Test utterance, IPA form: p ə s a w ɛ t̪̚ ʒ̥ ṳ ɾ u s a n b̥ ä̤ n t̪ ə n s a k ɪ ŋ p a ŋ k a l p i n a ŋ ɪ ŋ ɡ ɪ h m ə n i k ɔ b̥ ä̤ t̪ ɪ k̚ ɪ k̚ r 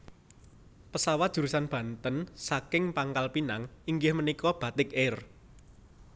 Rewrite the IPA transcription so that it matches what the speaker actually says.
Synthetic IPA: p ə s a w a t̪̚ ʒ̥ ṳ ɾ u s a n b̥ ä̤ n t̪ ə n s a k ɪ ŋ p a ŋ k a l p i n a ŋ i ŋ ɡ ɪ h m ə n i k ɔ b̥ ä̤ t̪ ɪ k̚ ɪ r

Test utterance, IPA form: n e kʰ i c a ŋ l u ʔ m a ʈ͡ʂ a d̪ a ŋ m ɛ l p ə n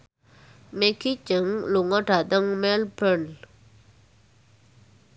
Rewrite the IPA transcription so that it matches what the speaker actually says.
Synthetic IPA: m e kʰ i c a ŋ l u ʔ ŋ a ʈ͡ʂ a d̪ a ŋ m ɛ l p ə n

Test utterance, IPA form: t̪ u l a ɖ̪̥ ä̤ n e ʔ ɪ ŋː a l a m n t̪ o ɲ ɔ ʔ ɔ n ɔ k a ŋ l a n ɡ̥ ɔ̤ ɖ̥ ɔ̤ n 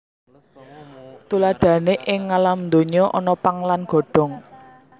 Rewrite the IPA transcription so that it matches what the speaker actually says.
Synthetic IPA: t̪ u l a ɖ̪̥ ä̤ n e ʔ ɪ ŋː a l a m n d̪ o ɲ ɔ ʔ ɔ n ɔ p a ŋ l a n ɡ̥ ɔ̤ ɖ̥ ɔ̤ ŋ

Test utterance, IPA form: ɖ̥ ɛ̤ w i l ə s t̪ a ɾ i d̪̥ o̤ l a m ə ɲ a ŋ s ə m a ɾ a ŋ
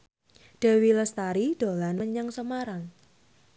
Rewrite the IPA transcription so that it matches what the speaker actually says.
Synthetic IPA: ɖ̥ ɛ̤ w i l ə s t̪ a ɾ i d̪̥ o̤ l a n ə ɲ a ŋ s ə m a ɾ a ŋ

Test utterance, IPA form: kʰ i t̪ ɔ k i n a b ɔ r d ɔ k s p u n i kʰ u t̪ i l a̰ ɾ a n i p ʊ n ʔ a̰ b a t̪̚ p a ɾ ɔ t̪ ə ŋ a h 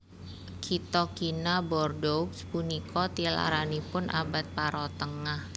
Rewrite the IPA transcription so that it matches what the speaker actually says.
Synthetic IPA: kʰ i t̪ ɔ k i n a b ɔ r d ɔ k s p u n i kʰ ɔ t̪ i l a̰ ɾ a n i p ʊ n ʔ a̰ b a t̪̚ p a ɾ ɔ t̪ ə ŋ a h

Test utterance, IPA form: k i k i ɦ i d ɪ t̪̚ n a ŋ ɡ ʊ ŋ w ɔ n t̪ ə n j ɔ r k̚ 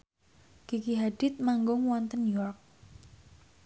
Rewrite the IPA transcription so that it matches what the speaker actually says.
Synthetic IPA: k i k i ɦ a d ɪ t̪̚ m a ŋ ɡ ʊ ŋ w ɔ n t̪ ə n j ɔ r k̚

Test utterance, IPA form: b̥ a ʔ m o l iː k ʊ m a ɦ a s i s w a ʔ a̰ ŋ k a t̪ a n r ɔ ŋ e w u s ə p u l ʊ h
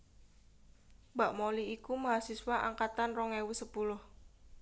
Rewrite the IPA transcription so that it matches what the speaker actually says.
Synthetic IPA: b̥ a ʔ m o l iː k u m a ɦ a s i s w a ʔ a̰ ŋ k a t̪ a n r ɔ ŋ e w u s ə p u l ʊ h

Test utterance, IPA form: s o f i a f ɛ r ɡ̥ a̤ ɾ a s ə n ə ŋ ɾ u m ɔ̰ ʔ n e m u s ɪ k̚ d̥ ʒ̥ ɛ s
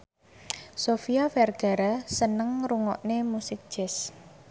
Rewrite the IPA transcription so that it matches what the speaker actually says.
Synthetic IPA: s o f i a f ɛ r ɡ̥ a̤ ɾ a s ə n ə ŋ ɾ u ŋ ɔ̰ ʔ n e m u s ɪ k̚ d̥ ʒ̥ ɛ s

